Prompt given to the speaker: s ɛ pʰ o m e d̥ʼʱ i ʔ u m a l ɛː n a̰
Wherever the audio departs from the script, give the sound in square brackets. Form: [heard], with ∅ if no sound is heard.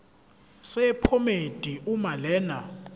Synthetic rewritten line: s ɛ pʰ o m e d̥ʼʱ i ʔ u m a l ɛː n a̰